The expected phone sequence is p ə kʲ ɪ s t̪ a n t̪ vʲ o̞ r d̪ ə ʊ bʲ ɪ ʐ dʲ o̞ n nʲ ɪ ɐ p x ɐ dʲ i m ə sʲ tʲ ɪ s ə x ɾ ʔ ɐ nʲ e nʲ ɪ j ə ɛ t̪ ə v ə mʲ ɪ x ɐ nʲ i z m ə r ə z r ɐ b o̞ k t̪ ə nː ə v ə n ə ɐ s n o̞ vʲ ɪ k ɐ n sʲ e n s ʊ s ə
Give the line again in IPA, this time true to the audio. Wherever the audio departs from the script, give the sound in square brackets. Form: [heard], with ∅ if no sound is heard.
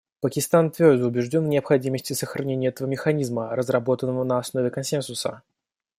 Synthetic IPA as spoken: p ə kʲ ɪ s t̪ a n t̪ vʲ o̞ r d̪ ə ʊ bʲ ɪ ʐ dʲ o̞ n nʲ ɪ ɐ p x ɐ dʲ i m ə sʲ tʲ ɪ s ə x ɾ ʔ ɐ nʲ e nʲ ɪ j ə ɛ t̪ ə v ə mʲ ɪ x ɐ nʲ i z m ə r ə z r ɐ b o̞ [∅] t̪ ə nː ə v ə n ə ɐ s n o̞ vʲ ɪ k ɐ n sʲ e n s ʊ s ə